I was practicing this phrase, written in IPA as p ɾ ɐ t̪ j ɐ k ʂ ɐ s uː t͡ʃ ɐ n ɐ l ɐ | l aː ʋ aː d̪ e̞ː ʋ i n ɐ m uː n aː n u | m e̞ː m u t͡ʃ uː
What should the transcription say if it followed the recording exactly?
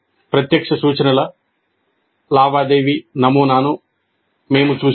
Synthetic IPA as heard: p ɾ ɐ t̪ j ɐ k ʂ ɐ s uː t͡ʃ ɐ n ɐ l ɐ | l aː ʋ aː d̪ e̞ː ʋ i n ɐ m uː n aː n u | m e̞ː m u t͡ʃ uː

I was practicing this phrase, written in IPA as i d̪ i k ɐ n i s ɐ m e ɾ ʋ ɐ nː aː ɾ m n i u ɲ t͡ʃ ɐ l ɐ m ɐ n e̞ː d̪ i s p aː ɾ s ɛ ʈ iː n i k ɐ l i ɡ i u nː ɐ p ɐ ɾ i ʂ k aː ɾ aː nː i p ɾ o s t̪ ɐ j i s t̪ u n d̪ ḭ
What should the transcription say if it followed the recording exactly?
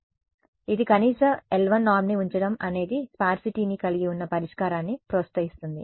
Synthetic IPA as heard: i d̪ i k ɐ n iː s ɐ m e l ʋ ɐ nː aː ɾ m n i u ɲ t͡ʃ ɐ ɽ ɐ m ɐ n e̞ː d̪ i s p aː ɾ s i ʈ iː n i k ɐ l i ɡ i u nː ɐ p ɐ ɾ i ʂ k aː ɾ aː nː i p ɾ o s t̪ ɐ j i s t̪ u n d̪ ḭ

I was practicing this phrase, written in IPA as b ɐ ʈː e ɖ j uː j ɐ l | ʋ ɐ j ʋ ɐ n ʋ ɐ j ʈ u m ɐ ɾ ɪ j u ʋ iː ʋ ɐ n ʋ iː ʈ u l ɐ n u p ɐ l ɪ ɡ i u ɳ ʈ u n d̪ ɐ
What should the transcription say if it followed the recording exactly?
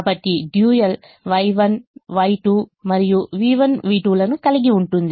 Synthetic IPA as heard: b ɐ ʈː i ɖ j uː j ɐ l | ʋ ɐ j ʋ ɐ n ʋ ɐ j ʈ u m ɐ ɾ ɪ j u ʋ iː ʋ ɐ n ʋ iː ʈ u l ɐ n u k ɐ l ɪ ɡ i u ɳ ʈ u n d̪ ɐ

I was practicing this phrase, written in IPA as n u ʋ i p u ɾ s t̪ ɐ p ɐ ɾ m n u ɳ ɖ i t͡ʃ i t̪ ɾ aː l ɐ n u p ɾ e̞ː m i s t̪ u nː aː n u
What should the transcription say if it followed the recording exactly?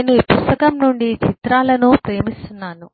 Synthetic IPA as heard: n u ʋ i p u s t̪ ɐ k ɐ m n u ɳ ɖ i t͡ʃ i t̪ ɾ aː l ɐ n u p ɾ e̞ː m i s t̪ u nː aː n u

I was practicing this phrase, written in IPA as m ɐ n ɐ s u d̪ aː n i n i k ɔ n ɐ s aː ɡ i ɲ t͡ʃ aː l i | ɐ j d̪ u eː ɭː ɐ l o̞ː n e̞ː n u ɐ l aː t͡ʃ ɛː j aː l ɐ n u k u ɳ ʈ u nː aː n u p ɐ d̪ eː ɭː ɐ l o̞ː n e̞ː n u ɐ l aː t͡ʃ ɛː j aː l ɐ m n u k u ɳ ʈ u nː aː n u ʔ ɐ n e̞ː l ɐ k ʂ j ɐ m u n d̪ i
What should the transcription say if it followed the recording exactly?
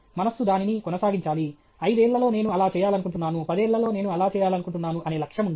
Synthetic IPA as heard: m ɐ n ɐ s u d̪ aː n i n i k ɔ n ɐ s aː ɡ i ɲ t͡ʃ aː l i | ɐ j d̪ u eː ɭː ɐ l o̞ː n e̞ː n u ɐ l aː t͡ʃ ɛː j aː l ɐ n u k u ɳ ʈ u nː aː n u p ɐ d̪ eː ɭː ɐ l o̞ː n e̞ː n u ɐ l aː t͡ʃ ɛː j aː l ɐ n u k u ɳ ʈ u nː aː n u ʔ ɐ n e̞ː l ɐ k ʂ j ɐ m u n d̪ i

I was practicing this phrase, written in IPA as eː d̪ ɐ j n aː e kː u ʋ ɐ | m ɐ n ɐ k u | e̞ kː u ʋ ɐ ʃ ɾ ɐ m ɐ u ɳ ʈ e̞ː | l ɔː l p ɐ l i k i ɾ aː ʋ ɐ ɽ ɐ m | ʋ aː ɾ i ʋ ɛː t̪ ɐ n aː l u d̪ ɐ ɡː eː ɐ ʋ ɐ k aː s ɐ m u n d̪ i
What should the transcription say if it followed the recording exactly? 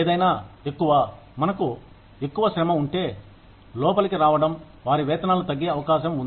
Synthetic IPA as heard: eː d̪ ɐ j n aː e kː u ʋ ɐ | m ɐ n ɐ k u | e̞ kː u ʋ ɐ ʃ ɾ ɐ m ɐ u ɳ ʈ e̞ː | l ɔː p ɐ l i k i ɾ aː ʋ ɐ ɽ ɐ m | ʋ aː ɾ i ʋ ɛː t̪ ɐ n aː l u t̪ ɐ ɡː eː ɐ ʋ ɐ k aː ʃ ɐ m u n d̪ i

